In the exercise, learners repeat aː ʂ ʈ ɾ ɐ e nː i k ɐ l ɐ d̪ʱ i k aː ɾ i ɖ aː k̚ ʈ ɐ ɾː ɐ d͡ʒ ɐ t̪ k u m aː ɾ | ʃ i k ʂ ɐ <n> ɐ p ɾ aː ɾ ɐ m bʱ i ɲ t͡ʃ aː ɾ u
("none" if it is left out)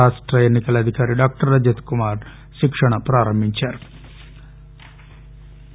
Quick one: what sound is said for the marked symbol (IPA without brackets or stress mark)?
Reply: ɳ